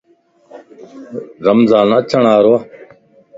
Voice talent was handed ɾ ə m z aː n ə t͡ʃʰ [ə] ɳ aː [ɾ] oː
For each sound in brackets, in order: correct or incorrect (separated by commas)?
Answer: correct, correct